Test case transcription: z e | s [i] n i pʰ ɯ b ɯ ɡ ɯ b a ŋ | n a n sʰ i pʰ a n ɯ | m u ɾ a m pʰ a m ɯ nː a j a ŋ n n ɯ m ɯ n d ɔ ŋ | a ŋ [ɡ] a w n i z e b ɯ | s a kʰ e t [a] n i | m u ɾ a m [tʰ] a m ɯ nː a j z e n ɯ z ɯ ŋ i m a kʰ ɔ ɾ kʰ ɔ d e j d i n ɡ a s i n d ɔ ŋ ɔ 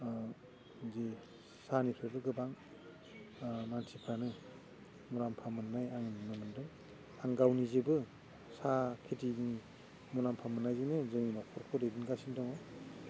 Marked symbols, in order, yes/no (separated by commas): no, yes, no, no